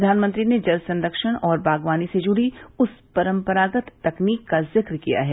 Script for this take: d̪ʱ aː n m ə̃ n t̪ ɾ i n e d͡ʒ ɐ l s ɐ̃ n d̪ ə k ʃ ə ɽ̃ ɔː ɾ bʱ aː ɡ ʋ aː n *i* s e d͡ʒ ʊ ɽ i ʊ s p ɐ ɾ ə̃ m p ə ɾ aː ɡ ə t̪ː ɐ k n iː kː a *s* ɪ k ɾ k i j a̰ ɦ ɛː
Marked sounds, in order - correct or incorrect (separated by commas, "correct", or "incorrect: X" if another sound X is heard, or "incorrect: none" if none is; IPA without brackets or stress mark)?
correct, incorrect: z